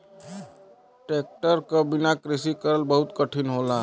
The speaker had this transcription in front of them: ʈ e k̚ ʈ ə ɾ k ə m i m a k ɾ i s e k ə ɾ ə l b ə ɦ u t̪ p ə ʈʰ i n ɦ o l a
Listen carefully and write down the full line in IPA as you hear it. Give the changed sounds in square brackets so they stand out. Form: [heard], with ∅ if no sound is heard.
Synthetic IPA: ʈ e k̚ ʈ ə ɾ k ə [b] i [n] a k ɾ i s [i] k ə ɾ ə l b ə ɦ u t̪ [k] ə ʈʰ i n ɦ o l a